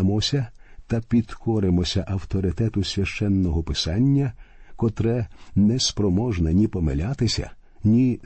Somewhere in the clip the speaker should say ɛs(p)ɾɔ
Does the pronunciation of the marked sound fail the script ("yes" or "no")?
no